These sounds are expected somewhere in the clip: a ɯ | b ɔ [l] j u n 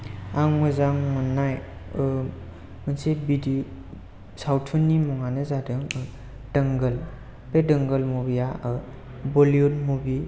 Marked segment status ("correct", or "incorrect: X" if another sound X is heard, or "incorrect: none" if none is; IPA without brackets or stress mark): correct